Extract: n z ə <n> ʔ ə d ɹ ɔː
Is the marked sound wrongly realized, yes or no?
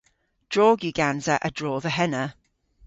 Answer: yes